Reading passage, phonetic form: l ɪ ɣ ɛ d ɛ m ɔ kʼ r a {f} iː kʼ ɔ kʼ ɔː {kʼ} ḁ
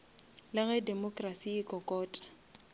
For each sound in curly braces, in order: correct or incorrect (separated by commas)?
incorrect, incorrect